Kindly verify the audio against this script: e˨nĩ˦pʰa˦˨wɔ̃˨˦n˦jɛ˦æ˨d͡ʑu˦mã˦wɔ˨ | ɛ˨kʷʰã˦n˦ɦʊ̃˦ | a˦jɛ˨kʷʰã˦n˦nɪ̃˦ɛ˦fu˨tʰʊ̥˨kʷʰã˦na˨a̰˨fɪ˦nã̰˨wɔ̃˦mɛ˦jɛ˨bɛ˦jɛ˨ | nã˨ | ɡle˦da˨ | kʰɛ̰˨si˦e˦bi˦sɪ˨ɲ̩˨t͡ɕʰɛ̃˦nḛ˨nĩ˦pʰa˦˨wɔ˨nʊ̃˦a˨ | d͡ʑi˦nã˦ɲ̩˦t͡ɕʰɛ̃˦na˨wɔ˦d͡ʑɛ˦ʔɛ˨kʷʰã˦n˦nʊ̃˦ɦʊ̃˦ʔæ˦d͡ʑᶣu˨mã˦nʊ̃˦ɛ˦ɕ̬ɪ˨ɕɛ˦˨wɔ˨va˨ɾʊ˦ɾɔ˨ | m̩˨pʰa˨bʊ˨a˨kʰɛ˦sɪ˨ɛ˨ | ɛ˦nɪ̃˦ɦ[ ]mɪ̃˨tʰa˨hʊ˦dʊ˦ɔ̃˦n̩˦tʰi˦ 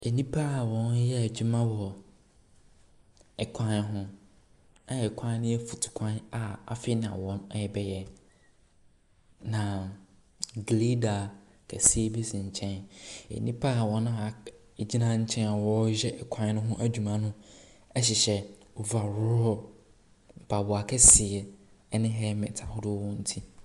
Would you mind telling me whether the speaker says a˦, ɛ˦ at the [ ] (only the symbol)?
ɛ˦